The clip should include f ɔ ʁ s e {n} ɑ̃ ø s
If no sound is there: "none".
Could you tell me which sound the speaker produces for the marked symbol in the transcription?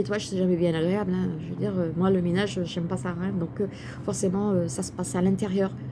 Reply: m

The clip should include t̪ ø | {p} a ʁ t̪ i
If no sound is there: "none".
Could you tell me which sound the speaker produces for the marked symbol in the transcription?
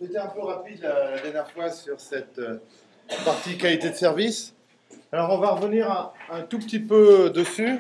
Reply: p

